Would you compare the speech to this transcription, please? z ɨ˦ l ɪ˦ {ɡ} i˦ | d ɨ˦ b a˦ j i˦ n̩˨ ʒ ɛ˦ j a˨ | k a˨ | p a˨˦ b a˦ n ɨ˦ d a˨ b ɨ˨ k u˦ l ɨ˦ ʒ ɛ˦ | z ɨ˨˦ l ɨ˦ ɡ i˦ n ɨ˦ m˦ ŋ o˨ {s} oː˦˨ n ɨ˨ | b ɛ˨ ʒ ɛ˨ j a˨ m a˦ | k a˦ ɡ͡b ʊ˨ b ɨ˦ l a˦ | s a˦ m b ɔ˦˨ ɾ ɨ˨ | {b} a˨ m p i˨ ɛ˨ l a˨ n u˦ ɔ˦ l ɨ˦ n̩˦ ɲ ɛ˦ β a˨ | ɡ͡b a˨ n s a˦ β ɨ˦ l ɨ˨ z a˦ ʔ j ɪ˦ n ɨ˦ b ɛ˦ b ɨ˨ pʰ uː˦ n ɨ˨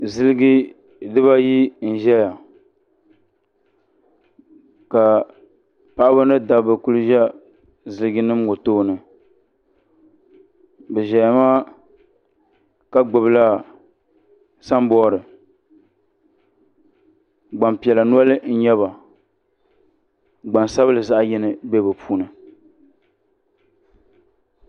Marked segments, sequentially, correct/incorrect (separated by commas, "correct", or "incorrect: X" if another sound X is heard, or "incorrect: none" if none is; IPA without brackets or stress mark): correct, incorrect: t, incorrect: ɡ͡b